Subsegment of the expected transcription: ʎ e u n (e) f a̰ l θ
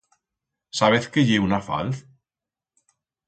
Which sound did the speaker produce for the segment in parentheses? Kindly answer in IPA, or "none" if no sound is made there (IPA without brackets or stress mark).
a